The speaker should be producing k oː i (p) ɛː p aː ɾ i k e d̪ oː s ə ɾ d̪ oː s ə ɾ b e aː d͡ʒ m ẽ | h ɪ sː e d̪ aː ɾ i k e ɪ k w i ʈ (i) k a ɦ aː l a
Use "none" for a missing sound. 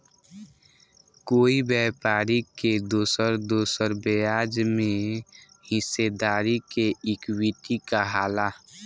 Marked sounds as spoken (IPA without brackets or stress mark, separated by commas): b, i